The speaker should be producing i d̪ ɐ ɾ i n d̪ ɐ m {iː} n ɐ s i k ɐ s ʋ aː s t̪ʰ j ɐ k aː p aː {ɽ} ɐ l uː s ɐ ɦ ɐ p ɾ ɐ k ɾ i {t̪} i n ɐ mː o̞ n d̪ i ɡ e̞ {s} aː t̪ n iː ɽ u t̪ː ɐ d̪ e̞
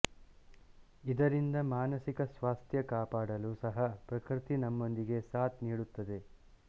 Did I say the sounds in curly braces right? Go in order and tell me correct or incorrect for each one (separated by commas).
incorrect, correct, correct, correct